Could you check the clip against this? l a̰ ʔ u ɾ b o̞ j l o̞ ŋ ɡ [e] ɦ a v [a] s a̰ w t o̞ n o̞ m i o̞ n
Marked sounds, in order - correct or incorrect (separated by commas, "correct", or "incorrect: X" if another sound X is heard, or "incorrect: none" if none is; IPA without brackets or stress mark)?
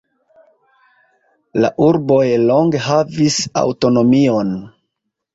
correct, incorrect: i